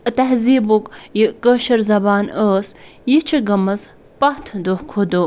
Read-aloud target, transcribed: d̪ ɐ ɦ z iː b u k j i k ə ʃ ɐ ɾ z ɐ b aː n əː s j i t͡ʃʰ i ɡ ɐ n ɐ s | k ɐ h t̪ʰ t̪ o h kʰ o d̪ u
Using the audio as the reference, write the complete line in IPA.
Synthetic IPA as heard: t̪ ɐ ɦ z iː b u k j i k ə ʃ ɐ ɾ z ɐ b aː n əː s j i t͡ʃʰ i ɡ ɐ m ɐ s | p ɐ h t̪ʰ d̪ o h kʰ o d̪ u